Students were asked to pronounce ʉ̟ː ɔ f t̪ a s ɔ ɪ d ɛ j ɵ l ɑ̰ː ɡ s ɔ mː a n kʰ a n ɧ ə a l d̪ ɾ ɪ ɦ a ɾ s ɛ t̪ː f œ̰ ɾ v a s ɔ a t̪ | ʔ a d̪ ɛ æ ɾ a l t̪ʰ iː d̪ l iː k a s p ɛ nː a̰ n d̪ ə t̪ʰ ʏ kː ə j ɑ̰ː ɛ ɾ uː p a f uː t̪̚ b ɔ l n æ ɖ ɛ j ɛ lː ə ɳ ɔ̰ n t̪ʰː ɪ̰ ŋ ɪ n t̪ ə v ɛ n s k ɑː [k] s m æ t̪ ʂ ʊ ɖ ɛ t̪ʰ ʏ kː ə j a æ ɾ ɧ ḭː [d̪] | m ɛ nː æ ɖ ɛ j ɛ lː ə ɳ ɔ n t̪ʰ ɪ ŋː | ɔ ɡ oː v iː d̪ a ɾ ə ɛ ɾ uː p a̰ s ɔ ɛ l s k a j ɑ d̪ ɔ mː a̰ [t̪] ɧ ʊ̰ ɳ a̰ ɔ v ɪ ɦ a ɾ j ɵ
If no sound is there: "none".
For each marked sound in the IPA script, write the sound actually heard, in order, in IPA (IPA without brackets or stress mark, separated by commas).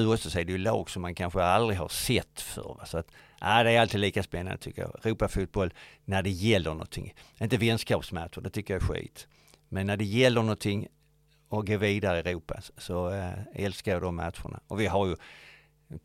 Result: p, t̪, t̪